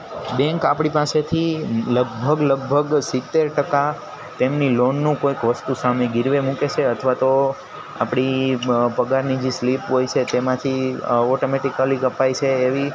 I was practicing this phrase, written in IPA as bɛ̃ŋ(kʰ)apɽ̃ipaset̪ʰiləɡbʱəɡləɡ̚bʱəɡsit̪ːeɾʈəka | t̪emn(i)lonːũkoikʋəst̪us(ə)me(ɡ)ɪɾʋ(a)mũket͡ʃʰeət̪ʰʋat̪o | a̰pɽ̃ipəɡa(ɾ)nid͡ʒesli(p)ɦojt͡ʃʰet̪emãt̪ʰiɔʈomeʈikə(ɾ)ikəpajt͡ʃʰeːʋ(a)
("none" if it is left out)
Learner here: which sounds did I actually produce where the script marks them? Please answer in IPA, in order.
k, i, a, ɡ, e, ɾ, p, l, i

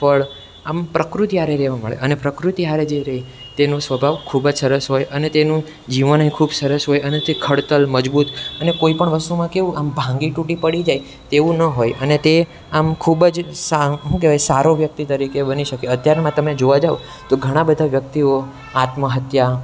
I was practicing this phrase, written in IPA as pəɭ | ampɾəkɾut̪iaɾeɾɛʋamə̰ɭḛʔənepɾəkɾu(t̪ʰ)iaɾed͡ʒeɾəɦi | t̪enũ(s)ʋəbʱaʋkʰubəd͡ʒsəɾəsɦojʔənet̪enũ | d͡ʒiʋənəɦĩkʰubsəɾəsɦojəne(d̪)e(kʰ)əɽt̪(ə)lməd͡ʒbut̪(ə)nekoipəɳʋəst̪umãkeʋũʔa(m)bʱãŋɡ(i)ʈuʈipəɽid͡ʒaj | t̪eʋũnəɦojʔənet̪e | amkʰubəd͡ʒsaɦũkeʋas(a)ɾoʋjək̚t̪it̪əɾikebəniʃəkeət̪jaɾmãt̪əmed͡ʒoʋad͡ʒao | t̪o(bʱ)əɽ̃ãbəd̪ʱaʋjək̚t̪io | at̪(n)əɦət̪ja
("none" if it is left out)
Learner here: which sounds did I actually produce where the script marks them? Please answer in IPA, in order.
t̪, s, t̪, kʰ, ə, ə, m, i, a, ɡʱ, m

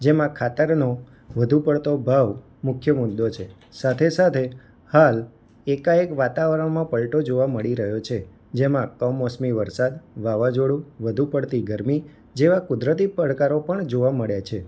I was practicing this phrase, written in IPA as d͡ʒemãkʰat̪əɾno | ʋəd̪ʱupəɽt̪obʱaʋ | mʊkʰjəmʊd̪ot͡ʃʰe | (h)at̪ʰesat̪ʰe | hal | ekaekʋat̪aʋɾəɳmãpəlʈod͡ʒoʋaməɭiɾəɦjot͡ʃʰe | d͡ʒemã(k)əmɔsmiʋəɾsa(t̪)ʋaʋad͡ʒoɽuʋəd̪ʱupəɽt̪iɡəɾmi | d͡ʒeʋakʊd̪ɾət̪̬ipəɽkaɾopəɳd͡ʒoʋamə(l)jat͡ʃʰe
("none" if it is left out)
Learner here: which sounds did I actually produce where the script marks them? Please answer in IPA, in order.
s, k, d̪, ɭ

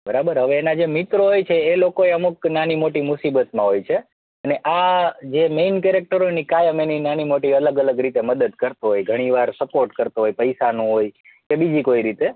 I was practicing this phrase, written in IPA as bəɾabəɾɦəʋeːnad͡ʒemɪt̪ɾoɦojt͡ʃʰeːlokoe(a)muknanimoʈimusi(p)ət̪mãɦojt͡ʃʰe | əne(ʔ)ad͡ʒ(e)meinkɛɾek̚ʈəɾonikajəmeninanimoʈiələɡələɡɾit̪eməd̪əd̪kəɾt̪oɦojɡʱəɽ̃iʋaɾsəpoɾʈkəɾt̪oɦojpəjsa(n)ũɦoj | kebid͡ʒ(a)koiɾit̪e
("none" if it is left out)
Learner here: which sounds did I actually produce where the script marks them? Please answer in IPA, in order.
ə, b, ʔ, e, n, i

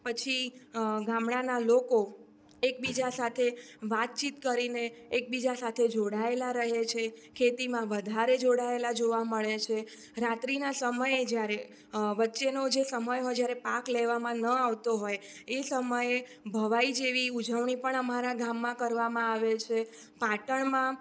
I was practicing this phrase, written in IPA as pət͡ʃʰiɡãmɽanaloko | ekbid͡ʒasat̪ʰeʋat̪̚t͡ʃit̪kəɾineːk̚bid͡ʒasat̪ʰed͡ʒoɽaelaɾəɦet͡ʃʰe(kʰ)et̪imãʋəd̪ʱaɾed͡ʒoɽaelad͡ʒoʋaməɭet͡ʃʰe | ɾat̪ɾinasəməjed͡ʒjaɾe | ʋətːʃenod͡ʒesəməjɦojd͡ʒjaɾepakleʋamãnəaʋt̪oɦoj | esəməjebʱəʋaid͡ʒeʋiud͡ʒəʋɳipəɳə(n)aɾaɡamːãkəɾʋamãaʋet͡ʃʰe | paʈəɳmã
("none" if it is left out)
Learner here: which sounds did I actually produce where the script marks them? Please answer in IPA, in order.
kʰ, m

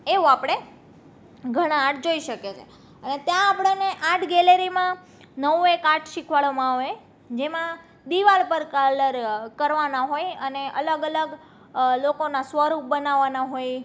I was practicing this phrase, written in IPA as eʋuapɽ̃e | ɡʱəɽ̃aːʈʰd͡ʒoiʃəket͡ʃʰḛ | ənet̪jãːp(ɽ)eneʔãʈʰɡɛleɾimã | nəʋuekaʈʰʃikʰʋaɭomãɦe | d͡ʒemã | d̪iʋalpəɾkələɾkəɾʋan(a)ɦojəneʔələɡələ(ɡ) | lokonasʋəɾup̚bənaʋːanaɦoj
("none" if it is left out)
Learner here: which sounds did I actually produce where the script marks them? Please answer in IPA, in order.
ɽ, a, ɡ

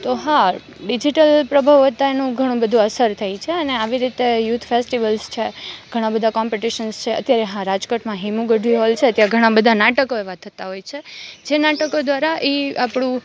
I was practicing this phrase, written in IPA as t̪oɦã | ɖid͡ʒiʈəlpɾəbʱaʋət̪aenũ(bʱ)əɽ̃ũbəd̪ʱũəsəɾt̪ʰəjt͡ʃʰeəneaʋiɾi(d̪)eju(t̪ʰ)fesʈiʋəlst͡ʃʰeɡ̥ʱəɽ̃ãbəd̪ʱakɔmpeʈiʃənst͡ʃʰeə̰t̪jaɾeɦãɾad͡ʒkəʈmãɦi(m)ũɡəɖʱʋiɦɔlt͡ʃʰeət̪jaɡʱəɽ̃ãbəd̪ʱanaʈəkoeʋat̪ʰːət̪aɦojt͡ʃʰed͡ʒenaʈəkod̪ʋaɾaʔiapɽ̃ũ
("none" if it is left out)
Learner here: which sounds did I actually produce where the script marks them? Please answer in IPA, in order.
ɡʱ, t̪, t̪ʰ, m

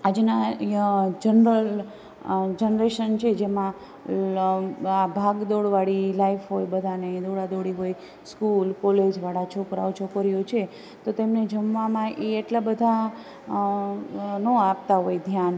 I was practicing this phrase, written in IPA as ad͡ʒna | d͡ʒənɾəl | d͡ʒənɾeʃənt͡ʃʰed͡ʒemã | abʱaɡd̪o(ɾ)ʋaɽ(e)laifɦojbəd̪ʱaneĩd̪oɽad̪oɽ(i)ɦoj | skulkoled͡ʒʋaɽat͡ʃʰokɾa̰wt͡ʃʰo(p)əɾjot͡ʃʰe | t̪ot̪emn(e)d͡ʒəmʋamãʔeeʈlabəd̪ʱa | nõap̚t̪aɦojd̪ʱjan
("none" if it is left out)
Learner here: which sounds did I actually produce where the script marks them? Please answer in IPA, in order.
ɽ, i, i, k, e

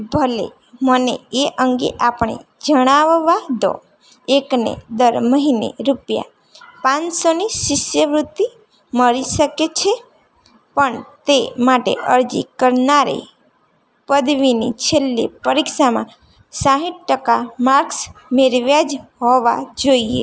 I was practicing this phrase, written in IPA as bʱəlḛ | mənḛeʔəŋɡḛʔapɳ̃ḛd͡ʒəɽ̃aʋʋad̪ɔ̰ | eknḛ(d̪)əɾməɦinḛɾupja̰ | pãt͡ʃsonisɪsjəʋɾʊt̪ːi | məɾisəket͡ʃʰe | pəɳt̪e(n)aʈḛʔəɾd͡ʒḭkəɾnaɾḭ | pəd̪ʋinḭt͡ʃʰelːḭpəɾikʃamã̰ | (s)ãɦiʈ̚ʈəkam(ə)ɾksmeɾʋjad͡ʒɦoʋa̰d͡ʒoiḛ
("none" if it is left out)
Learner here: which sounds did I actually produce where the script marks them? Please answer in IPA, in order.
d̪, m, s, a

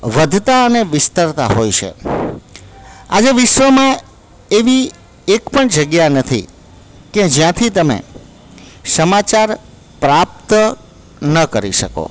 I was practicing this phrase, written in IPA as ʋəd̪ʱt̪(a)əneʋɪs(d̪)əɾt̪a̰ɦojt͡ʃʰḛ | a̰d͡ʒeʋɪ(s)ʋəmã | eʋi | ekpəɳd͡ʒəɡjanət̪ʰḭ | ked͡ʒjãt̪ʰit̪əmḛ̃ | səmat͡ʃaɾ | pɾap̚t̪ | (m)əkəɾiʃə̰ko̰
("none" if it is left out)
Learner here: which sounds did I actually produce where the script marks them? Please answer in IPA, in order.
a, t̪, ʃ, n

